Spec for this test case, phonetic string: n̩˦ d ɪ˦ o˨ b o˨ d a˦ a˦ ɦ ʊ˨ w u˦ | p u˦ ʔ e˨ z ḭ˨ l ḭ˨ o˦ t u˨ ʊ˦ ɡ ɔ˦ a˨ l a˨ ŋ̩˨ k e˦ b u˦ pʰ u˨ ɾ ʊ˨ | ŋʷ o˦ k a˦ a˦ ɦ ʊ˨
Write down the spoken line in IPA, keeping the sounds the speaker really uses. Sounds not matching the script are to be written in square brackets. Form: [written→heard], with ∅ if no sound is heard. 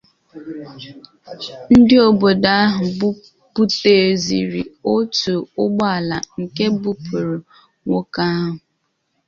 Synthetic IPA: n̩˦ d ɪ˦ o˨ b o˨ d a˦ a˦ ɦ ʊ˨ [w→b] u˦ | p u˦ [ʔ→t] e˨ z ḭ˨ [l→ɾ] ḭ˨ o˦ t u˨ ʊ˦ [ɡ→ɡ͡b] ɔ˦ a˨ l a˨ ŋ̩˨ k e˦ b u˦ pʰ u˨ ɾ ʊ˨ | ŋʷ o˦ k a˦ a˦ ɦ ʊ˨